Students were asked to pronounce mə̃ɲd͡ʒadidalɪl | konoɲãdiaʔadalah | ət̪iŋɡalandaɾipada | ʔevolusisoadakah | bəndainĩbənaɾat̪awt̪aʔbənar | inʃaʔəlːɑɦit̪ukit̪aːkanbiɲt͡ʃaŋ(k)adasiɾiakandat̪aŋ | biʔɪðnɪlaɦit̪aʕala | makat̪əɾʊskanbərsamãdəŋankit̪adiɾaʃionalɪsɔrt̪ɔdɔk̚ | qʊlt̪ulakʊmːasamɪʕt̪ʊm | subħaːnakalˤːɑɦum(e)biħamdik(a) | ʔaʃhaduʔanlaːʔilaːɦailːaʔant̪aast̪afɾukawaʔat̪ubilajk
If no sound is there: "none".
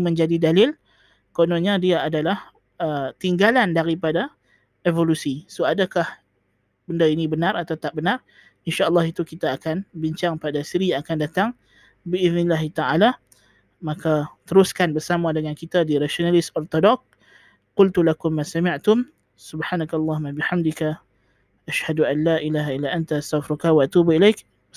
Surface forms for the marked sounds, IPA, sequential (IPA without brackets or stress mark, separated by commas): p, a, a